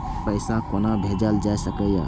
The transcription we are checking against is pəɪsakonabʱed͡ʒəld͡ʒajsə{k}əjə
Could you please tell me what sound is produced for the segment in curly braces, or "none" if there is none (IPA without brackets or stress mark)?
k